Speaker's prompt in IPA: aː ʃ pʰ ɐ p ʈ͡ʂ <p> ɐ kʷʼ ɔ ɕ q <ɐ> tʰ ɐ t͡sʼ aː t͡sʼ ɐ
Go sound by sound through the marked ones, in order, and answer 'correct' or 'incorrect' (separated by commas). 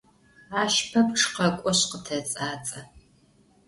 incorrect, incorrect